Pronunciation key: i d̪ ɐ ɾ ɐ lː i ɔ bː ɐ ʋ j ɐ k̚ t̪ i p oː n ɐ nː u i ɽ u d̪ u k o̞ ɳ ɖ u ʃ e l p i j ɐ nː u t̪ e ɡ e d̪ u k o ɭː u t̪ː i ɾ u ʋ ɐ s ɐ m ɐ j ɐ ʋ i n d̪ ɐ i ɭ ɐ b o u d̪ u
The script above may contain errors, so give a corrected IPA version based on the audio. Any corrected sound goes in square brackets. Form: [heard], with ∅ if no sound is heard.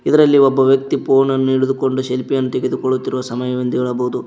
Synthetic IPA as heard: i d̪ ɐ ɾ ɐ lː i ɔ bː ɐ ʋ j ɐ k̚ t̪ i p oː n ɐ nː u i ɽ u d̪ u k o̞ ɳ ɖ u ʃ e l p i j ɐ nː u t̪ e ɡ e d̪ u k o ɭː u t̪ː i ɾ u ʋ ɐ s ɐ m ɐ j ɐ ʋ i n d̪ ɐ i ɭ ɐ b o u d̪ u